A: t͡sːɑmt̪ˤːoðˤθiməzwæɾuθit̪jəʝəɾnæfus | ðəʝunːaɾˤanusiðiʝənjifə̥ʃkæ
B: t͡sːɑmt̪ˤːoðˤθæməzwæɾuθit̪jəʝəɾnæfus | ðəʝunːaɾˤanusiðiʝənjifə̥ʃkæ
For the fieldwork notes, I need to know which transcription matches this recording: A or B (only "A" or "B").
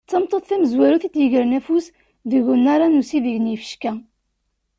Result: B